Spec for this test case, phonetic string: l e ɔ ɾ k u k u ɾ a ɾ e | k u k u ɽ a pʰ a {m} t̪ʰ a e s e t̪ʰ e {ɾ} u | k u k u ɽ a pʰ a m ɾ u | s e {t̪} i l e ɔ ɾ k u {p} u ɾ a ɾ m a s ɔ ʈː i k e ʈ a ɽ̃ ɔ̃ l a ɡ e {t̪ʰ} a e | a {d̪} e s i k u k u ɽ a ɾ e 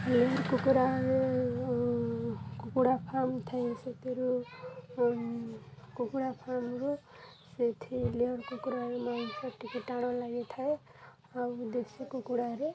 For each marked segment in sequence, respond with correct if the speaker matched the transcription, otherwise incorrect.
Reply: correct, correct, incorrect, incorrect, correct, correct

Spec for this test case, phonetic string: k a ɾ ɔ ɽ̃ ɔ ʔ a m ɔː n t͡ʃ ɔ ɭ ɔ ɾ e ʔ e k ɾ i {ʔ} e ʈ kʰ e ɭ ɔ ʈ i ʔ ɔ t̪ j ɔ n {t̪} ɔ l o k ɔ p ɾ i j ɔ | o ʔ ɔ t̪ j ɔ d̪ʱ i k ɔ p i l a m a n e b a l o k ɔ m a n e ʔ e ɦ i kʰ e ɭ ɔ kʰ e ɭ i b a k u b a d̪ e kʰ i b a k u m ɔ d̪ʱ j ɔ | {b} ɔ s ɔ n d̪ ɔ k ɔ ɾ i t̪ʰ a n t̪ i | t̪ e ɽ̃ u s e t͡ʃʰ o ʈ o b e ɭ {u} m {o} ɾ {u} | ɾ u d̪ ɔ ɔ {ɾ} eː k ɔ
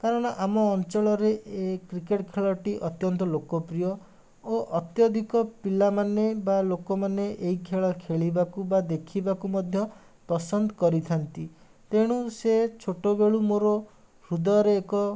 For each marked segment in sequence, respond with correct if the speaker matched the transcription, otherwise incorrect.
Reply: incorrect, correct, incorrect, correct, correct, incorrect, correct

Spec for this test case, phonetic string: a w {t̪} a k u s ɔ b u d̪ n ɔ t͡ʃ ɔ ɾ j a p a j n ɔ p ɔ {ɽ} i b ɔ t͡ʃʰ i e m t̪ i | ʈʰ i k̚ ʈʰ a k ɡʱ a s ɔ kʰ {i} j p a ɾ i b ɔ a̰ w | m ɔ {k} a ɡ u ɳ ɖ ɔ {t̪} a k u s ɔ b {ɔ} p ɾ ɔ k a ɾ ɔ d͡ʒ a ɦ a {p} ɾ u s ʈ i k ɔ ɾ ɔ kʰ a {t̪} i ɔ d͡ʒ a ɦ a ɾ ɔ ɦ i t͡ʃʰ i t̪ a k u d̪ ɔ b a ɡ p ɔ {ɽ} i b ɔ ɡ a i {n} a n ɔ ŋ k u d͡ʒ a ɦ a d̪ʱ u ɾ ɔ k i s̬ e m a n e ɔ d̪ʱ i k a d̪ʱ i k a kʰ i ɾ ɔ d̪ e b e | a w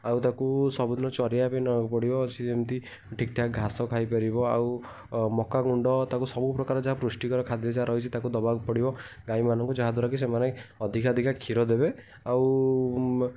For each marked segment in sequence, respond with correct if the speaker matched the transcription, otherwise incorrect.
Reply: correct, correct, incorrect, correct, correct, incorrect, correct, incorrect, correct, incorrect

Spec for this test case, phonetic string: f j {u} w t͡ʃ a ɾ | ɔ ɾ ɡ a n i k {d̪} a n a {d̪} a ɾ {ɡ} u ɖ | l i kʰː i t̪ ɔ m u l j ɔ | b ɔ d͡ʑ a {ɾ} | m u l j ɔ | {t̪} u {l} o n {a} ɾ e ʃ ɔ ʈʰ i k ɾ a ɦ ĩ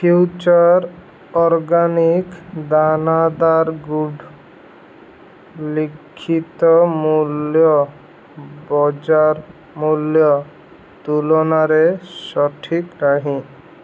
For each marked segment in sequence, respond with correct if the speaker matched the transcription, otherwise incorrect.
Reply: correct, correct, correct, correct, correct, correct, correct, correct

